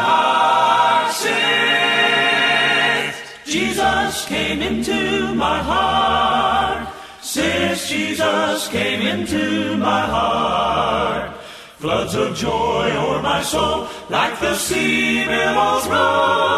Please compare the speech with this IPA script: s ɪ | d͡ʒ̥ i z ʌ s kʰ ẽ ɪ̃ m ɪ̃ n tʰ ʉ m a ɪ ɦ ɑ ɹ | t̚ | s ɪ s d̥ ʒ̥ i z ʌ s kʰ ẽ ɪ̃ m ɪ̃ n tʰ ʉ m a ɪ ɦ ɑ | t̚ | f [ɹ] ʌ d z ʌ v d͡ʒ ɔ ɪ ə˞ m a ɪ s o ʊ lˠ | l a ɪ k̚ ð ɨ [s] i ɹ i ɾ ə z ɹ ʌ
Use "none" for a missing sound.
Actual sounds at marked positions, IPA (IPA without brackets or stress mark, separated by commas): l, s